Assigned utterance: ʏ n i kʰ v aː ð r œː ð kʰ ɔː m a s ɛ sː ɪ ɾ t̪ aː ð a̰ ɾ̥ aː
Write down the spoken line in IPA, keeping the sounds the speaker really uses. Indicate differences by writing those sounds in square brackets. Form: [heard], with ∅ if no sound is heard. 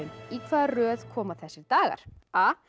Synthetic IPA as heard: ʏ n i kʰ v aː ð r œː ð kʰ ɔː m a [θ] ɛ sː ɪ ɾ t̪ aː [ɣ] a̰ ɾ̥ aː